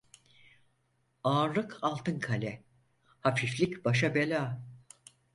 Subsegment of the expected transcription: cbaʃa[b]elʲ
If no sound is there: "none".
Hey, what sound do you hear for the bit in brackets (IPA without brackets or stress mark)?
b